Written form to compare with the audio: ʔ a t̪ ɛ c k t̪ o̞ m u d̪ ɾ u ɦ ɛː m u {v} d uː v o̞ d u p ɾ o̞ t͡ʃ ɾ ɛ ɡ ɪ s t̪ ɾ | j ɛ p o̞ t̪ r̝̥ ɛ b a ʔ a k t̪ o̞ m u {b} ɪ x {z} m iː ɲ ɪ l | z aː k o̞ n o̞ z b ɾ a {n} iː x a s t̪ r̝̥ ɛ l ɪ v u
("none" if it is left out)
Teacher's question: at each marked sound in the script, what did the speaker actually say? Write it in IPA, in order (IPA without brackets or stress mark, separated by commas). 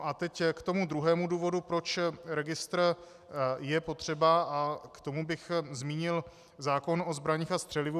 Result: none, b, z, ɲ